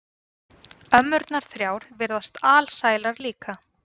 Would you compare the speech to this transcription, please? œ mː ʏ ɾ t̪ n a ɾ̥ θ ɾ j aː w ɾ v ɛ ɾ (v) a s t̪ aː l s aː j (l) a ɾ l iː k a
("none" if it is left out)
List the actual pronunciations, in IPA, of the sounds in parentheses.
ð, l

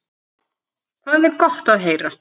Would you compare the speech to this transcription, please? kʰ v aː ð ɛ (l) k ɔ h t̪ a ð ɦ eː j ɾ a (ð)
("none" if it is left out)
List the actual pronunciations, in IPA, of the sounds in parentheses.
ɾ, none

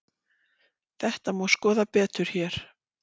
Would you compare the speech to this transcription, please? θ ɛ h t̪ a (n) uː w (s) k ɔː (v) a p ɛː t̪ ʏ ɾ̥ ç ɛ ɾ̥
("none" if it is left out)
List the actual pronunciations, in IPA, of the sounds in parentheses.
m, s, ð

